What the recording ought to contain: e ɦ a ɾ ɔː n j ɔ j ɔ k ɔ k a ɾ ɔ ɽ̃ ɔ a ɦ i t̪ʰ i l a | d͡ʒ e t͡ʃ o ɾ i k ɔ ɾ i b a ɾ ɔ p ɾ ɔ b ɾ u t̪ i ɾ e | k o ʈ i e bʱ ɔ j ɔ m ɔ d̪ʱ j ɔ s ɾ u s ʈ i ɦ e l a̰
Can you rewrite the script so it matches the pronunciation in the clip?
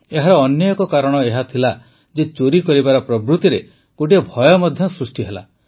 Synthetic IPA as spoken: e ɦ a ɾ ɔː n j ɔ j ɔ k ɔ k a ɾ ɔ ɽ̃ ɔ e ɦ a t̪ʰ i l a | d͡ʒ e t͡ʃ o ɾ i k ɔ ɾ i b a ɾ ɔ p ɾ ɔ b ɾ u t̪ i ɾ e | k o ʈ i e bʱ ɔ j ɔ m ɔ d̪ʱ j ɔ s ɾ u s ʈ i ɦ e l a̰